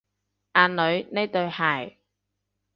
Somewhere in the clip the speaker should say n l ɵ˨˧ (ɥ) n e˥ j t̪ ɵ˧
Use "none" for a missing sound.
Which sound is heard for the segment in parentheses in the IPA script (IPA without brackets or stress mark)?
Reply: ɥ